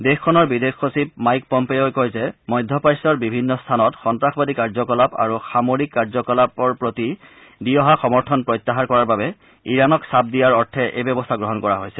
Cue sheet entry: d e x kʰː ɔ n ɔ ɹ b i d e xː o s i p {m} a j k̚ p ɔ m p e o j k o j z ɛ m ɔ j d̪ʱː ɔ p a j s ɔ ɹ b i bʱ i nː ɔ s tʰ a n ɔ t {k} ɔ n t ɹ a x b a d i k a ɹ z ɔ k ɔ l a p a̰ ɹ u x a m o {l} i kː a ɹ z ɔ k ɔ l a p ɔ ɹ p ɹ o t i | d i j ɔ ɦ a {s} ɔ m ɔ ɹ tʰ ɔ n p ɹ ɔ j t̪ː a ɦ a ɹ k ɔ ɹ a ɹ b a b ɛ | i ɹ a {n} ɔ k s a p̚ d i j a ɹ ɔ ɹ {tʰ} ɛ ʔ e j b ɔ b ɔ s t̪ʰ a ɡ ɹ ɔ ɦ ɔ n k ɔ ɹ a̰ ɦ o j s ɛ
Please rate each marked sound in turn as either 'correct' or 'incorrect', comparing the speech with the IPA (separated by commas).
correct, incorrect, incorrect, incorrect, correct, correct